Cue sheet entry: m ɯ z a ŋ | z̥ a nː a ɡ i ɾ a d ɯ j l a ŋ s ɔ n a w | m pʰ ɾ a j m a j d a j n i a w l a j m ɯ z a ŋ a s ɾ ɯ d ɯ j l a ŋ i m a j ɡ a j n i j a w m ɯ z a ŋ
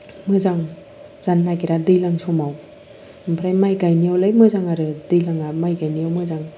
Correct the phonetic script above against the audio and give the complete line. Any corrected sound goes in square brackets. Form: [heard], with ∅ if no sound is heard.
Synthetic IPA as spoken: m ɯ z a ŋ | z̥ a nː a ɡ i ɾ a d ɯ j l a ŋ s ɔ [m] a w | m pʰ ɾ a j m a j [ɡ] a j n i a w l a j m ɯ z a ŋ a [∅] ɾ ɯ d ɯ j l a ŋ [a] m a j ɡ a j n i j a w m ɯ z a ŋ